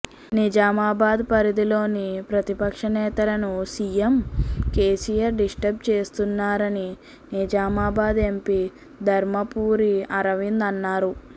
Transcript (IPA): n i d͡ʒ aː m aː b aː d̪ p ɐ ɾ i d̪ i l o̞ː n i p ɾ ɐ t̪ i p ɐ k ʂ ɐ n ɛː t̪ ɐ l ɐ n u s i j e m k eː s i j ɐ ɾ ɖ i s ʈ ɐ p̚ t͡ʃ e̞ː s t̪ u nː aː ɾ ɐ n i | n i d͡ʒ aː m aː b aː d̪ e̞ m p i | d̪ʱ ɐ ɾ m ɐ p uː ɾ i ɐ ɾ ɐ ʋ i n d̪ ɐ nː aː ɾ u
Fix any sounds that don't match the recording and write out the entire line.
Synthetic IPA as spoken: n i d͡ʒ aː m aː b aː d̪ p ɐ ɾ i d̪ i l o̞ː n i p ɾ ɐ t̪ i p ɐ k ʂ ɐ n ɛː t̪ ɐ l ɐ n u s i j e m k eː s i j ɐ ɾ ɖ i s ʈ ɐ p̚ t͡ʃ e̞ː s t̪ u nː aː ɾ ɐ n i | n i d͡ʒ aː m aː b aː d̪ e̞ m p i | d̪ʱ ɐ ɾ m ɐ p uː ɾ i ɐ ɾ ɐ ʋ i n d̪ ɐ nː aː ɾ u